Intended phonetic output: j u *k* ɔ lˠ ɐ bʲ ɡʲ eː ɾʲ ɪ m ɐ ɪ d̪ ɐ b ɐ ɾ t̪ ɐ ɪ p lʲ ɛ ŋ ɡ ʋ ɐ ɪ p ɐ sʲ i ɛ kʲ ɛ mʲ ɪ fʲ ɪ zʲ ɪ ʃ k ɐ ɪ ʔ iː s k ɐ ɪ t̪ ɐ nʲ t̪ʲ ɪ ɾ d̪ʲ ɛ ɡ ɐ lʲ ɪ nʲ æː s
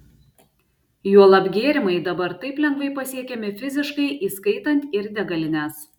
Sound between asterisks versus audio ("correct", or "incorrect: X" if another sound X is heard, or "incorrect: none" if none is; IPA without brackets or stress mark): incorrect: none